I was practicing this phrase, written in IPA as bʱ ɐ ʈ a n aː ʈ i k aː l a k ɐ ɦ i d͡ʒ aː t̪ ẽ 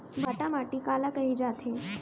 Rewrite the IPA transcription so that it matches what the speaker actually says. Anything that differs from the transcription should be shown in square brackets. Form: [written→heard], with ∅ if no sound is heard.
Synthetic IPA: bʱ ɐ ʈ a [n→m] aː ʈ i k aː l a k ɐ ɦ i d͡ʒ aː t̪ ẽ

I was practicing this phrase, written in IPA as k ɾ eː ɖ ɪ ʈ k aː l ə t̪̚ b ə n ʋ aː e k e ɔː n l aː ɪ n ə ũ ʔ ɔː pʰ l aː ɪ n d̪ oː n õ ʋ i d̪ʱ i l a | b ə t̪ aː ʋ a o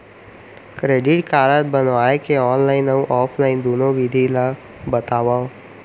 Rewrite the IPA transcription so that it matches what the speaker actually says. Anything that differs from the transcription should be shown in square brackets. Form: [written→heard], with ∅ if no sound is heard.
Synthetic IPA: k ɾ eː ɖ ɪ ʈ k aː [l→ɾ] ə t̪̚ b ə n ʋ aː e k e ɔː n l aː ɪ n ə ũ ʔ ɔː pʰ l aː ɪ n d̪ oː n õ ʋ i d̪ʱ i l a | b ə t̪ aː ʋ a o

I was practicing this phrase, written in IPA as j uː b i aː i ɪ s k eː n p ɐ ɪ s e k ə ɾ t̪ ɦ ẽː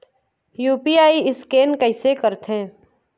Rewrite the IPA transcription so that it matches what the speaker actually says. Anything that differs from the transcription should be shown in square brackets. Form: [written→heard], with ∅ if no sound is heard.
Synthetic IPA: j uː [b→p] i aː i ɪ s k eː n [p→k] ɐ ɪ s e k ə ɾ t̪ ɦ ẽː

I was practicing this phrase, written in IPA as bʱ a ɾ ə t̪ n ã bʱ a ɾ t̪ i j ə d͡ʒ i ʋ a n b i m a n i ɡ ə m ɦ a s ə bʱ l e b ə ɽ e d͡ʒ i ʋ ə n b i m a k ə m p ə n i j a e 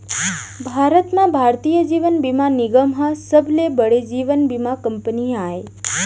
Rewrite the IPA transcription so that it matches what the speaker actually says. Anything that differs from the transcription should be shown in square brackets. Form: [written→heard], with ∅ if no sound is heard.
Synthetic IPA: bʱ a ɾ ə t̪ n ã bʱ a ɾ t̪ i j ə d͡ʒ i ʋ [a→ə] n b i m a n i ɡ ə m ɦ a s ə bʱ l e b ə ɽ e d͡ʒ i ʋ ə n b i m a k ə m p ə n i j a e

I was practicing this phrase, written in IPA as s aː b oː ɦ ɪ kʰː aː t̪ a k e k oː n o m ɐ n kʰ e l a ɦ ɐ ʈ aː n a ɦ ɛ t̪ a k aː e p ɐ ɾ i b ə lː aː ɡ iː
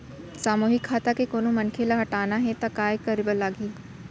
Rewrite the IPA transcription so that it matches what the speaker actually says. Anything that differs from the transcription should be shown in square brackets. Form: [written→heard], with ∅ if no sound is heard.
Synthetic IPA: s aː [b→m] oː ɦ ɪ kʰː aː t̪ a k e k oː n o m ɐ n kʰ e l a ɦ ɐ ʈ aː n a ɦ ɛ t̪ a k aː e [p→k] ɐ ɾ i b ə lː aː ɡ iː

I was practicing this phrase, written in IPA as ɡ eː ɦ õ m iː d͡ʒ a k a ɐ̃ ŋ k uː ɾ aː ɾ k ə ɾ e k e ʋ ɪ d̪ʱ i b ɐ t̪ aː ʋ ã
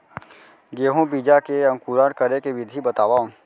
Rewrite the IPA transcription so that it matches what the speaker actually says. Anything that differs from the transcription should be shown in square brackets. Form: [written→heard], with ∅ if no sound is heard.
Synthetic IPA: ɡ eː ɦ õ [m→b] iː d͡ʒ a k [a→e] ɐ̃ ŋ k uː ɾ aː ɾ k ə ɾ e k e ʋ ɪ d̪ʱ i b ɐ t̪ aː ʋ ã

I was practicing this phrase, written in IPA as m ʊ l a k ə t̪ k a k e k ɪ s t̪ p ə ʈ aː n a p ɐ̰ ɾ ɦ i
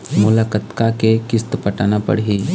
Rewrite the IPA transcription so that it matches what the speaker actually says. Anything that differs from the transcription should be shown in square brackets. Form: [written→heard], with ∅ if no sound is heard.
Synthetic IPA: m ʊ l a k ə t̪ k a k e k ɪ s t̪ p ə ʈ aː n a p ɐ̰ [ɾ→ɽ] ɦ i

